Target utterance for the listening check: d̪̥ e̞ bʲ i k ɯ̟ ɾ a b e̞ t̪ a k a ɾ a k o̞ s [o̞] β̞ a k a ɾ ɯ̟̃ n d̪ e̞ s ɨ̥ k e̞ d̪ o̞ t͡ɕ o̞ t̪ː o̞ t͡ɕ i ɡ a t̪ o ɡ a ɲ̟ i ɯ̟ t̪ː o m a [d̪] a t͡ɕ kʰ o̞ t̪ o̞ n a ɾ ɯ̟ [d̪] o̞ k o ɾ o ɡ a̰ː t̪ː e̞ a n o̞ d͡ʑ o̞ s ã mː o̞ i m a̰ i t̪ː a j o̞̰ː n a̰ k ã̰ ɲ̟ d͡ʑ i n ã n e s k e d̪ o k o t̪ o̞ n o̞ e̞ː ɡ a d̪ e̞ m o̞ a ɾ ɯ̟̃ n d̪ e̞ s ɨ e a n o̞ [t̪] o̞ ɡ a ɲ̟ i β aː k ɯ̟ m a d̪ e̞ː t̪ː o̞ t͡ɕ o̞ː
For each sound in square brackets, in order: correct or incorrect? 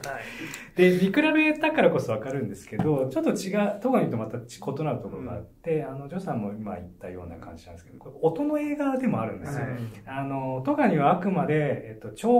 correct, incorrect: t̪, incorrect: t̪, correct

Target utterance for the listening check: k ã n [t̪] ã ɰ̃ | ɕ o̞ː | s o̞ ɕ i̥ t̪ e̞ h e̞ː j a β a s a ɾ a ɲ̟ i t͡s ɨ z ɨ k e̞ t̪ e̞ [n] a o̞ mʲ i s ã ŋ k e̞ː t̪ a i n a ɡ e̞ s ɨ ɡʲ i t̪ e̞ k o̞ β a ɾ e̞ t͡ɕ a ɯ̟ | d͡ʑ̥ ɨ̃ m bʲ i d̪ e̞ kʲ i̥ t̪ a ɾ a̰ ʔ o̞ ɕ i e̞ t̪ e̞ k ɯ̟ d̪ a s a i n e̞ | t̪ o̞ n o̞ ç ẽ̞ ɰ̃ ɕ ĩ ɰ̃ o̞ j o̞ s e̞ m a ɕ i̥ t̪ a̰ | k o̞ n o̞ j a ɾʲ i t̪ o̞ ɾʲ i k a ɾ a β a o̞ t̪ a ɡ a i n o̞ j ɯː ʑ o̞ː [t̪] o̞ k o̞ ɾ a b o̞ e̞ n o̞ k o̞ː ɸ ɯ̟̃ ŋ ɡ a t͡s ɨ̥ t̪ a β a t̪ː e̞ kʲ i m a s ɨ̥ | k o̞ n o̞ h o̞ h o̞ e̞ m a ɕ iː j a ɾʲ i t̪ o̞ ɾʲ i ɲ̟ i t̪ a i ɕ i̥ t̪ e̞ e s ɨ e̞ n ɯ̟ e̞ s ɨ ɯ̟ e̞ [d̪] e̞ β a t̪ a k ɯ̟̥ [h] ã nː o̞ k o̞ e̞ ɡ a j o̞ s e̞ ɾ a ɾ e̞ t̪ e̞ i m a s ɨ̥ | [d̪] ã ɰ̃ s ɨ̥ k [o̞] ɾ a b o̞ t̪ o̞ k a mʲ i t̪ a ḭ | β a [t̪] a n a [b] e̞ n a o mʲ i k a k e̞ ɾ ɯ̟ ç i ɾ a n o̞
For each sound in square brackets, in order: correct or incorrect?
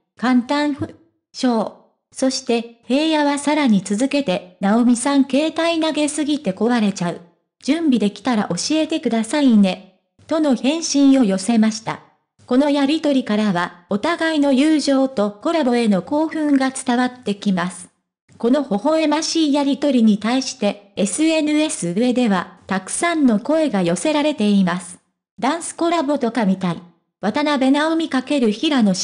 correct, correct, correct, correct, incorrect: s, correct, correct, correct, correct

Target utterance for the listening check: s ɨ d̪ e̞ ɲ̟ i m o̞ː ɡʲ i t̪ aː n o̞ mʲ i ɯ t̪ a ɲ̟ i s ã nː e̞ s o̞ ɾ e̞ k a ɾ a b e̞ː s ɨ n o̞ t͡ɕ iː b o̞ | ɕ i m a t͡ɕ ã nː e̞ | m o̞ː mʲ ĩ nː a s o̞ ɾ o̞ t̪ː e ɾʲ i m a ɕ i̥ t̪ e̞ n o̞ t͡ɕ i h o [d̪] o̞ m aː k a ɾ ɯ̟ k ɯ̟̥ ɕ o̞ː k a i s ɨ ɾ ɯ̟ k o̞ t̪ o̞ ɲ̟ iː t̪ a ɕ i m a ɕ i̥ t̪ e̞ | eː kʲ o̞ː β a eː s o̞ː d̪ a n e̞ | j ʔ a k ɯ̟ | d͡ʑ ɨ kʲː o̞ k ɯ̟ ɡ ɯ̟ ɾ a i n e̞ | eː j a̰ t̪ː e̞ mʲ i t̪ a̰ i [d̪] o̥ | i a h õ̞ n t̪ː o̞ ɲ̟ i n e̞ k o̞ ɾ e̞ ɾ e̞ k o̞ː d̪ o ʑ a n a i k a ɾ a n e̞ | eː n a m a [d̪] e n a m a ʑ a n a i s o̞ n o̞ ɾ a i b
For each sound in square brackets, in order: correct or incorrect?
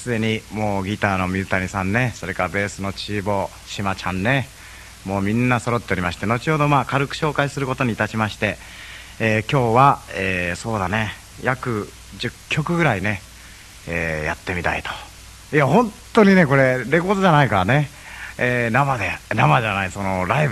correct, incorrect: t̪, correct

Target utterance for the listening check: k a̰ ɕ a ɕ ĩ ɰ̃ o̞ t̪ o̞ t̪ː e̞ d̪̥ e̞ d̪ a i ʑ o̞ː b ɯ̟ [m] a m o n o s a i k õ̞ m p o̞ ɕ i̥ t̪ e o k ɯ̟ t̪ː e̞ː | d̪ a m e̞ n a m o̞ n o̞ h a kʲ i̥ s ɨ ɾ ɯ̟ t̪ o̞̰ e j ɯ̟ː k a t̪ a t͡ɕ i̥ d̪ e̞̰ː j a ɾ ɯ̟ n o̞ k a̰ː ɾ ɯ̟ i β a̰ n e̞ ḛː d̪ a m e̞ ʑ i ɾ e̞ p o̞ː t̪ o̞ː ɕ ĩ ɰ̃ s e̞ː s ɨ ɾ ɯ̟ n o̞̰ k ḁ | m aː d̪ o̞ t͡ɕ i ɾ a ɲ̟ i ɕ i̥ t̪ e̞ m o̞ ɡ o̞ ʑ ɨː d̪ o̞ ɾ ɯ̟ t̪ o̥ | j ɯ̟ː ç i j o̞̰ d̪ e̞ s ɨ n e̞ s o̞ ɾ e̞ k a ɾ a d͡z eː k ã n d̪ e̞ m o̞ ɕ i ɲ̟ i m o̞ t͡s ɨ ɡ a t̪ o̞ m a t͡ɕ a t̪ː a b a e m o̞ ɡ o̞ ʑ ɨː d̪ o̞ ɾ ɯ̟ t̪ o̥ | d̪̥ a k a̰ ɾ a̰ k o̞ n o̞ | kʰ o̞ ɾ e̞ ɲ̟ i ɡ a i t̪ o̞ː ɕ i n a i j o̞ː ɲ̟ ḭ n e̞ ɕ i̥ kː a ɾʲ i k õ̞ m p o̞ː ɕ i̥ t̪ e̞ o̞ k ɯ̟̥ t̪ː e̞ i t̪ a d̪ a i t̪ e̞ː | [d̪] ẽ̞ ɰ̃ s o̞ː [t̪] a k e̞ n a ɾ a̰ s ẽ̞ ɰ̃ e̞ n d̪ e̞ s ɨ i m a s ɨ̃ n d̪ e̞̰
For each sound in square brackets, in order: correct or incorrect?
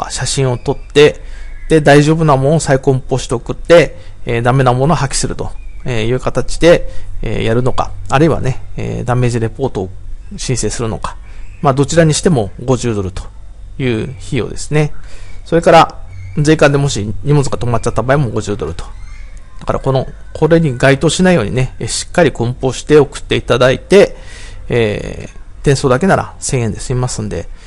incorrect: n, incorrect: t̪, incorrect: d̪

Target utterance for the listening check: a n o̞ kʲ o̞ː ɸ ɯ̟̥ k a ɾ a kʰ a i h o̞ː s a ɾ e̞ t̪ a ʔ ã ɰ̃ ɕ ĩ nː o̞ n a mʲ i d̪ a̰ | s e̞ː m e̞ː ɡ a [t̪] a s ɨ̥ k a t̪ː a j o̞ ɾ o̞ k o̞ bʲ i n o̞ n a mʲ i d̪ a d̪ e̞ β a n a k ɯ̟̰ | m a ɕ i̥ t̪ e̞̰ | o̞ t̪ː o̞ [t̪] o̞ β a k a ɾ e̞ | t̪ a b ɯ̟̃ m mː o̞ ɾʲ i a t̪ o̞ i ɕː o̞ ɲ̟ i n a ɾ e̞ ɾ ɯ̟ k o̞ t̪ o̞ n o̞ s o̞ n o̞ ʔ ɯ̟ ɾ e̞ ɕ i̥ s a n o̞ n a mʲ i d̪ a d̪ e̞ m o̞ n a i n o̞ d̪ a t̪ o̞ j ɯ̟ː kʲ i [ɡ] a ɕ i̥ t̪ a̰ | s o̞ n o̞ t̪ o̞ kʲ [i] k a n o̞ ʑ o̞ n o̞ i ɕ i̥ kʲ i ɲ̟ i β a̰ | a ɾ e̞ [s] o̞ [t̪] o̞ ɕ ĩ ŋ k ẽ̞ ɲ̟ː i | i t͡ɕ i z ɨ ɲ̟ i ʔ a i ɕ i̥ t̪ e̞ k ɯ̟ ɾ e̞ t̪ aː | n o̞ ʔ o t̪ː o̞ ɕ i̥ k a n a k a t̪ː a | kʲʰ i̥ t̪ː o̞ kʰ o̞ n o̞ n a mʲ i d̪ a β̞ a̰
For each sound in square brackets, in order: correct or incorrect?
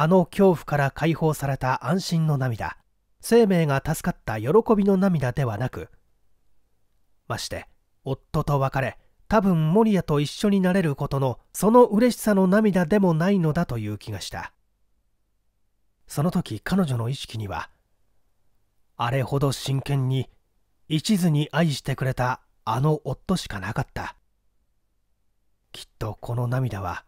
correct, correct, correct, correct, incorrect: h, incorrect: d̪

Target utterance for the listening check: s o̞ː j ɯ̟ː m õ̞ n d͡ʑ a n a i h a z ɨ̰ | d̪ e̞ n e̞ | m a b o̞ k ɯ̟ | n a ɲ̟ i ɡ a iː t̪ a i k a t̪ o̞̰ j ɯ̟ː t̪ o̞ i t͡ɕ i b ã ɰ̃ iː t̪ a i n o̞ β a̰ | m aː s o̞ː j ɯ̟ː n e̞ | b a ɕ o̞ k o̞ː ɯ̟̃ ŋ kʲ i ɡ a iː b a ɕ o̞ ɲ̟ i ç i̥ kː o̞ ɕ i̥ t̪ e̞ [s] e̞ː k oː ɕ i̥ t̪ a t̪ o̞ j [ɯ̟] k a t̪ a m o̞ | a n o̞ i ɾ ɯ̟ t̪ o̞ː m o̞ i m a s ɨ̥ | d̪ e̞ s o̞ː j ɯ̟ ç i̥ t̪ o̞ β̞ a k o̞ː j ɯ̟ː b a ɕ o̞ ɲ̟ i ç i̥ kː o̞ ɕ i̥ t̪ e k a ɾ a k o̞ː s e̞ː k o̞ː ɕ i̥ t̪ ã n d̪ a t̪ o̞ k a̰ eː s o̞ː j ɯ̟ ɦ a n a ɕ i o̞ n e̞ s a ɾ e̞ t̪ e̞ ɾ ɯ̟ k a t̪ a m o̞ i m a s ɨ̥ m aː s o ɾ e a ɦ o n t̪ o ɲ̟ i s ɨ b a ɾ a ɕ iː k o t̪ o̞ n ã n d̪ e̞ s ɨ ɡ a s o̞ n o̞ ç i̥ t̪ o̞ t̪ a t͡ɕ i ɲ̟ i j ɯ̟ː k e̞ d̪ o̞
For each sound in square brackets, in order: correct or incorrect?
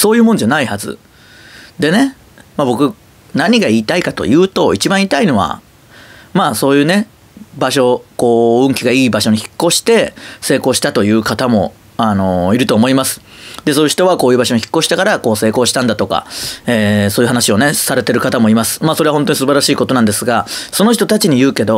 correct, incorrect: ɯ̟ː

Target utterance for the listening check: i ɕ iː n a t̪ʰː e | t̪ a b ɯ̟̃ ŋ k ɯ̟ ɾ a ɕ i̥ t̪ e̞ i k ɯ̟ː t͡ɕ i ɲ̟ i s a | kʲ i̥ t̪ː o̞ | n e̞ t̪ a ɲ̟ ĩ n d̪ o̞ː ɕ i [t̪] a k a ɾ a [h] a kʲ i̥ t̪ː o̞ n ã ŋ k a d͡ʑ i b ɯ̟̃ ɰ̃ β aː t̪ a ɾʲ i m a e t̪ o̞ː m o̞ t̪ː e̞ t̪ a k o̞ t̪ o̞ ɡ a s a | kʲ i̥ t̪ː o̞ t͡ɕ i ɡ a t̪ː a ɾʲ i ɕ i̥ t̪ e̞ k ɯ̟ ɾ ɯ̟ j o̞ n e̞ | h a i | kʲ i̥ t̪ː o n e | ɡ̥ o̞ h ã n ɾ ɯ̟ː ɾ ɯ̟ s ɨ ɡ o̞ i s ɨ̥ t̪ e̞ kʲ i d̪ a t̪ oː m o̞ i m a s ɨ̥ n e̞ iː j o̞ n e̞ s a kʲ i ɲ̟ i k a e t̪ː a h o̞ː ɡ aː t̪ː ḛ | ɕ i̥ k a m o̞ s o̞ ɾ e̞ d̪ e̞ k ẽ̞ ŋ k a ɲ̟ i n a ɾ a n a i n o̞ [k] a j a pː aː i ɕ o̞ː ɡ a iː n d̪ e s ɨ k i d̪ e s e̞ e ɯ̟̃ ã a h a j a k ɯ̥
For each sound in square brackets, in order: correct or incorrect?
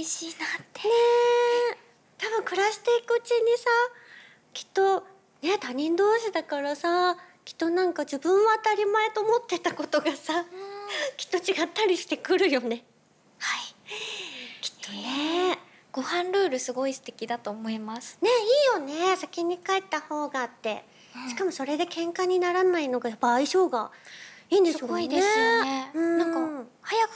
incorrect: d̪, incorrect: s, incorrect: ɡ

